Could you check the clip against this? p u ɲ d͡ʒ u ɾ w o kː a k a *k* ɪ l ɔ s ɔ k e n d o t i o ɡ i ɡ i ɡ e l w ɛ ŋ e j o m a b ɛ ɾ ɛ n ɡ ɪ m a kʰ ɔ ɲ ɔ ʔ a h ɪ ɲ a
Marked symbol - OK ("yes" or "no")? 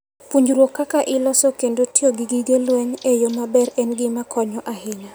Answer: no